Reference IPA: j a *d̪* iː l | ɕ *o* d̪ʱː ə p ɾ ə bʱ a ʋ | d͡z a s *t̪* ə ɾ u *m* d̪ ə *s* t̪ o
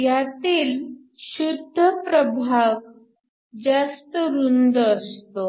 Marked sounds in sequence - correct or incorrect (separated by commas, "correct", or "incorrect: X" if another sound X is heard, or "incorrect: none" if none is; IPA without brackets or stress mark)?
incorrect: t̪, incorrect: u, correct, incorrect: n, correct